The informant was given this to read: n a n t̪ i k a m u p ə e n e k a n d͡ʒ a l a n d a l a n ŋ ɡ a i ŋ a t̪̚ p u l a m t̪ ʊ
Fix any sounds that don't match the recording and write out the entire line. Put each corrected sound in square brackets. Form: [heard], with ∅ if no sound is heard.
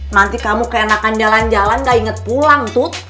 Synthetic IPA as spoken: n a n t̪ i k a m u [k] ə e n [a] k a n d͡ʒ a l a n [d͡ʒ] a l a n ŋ ɡ a i ŋ [ə] t̪̚ p u l a [ŋ] t̪ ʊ